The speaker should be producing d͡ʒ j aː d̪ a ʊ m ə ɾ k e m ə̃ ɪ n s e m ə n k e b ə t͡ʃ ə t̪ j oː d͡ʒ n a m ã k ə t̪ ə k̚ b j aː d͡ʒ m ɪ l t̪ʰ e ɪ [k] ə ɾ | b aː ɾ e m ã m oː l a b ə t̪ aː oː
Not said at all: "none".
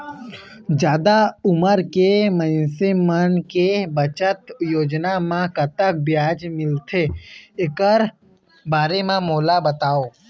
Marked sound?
k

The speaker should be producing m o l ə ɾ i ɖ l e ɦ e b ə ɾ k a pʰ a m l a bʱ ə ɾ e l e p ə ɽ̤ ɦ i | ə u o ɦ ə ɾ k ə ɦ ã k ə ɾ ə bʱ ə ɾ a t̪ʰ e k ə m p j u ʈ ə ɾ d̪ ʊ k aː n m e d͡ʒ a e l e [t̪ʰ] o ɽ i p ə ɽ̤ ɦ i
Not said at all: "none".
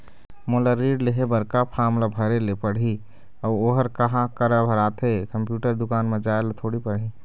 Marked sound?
t̪ʰ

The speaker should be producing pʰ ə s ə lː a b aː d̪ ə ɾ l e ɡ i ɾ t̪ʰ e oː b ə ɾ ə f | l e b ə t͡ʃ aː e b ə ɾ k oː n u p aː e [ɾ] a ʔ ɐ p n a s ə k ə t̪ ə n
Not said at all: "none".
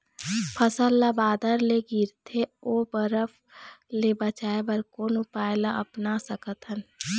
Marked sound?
l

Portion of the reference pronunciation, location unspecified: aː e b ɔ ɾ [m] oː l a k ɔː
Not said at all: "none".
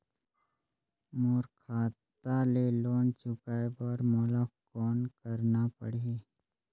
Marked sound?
m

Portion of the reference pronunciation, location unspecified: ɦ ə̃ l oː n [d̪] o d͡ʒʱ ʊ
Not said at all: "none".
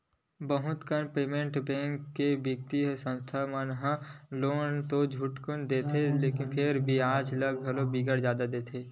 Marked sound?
t̪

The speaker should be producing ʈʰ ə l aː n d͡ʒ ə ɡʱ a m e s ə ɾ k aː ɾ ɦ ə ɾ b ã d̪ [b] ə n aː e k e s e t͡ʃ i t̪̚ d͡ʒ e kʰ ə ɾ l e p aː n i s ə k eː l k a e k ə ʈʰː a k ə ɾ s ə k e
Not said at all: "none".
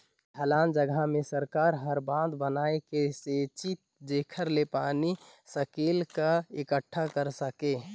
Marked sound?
b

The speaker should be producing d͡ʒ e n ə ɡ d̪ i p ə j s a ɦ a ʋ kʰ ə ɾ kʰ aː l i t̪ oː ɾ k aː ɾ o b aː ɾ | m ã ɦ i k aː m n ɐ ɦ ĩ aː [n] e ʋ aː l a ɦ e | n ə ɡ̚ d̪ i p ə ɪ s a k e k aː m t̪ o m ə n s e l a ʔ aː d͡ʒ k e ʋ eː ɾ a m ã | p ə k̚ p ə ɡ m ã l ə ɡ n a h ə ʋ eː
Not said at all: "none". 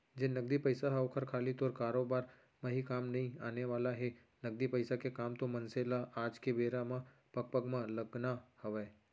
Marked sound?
n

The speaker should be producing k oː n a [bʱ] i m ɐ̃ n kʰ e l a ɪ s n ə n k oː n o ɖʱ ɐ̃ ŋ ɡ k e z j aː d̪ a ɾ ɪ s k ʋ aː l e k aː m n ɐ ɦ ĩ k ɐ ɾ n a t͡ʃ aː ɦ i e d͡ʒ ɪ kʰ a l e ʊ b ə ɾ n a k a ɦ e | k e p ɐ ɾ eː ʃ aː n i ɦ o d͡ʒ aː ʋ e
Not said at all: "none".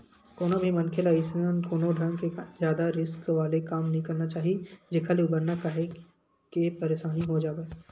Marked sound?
bʱ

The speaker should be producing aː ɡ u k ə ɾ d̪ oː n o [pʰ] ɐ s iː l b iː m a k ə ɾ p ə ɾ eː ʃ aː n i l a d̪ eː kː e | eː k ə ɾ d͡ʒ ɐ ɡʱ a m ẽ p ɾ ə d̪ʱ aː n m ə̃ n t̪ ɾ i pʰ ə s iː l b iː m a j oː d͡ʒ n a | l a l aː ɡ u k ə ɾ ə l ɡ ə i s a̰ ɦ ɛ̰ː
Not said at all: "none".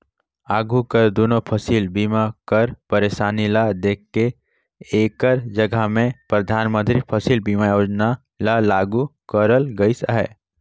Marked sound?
pʰ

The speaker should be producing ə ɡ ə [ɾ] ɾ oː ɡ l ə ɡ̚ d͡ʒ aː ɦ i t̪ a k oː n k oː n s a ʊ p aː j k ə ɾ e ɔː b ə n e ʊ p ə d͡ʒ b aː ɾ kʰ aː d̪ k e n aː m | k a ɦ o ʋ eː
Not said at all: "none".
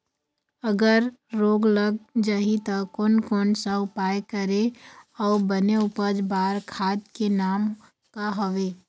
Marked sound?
ɾ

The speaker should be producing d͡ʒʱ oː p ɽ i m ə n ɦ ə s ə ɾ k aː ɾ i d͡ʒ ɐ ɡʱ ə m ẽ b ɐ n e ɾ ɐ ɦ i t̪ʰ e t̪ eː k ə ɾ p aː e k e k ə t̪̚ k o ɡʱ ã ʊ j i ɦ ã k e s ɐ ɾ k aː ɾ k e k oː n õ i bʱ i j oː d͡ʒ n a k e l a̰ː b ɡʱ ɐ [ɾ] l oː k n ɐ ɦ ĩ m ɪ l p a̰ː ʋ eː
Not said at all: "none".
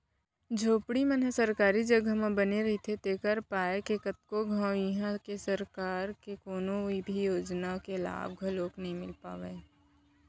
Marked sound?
none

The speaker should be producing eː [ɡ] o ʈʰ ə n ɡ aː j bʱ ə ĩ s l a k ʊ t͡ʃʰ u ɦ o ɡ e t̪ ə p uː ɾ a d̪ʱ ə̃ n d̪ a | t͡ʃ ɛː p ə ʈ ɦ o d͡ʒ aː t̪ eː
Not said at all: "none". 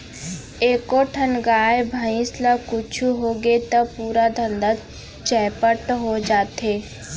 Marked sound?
k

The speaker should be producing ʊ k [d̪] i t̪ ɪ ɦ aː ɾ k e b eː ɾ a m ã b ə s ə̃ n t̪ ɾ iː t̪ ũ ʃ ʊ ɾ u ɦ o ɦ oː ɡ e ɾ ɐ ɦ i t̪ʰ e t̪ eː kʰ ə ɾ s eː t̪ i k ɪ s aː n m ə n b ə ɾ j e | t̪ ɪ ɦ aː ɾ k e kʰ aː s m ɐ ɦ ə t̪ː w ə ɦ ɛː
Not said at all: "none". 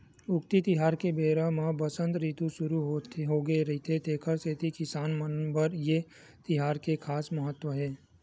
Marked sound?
t̪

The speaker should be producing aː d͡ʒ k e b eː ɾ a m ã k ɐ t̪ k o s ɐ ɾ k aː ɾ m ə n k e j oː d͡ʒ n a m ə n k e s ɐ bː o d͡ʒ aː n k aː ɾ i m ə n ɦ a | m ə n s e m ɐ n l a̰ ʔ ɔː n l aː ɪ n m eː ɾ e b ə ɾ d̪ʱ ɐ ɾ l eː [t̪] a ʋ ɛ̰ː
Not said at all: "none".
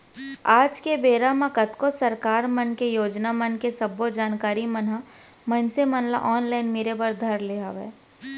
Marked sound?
none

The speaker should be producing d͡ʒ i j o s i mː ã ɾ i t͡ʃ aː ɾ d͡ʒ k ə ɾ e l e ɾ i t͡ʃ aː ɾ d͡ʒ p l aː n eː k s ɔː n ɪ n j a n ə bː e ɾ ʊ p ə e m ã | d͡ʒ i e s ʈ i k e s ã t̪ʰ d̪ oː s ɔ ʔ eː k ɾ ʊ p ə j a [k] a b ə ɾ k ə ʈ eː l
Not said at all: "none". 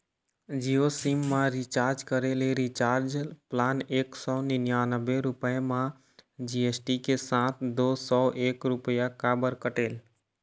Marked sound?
k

